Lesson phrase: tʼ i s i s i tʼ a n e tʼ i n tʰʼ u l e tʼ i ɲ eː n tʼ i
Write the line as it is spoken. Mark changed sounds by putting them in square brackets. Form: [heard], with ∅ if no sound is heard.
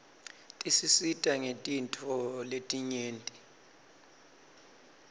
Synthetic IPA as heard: tʼ i s i s i tʼ a [ŋ] e tʼ i n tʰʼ [ɔ] l e tʼ i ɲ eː n tʼ i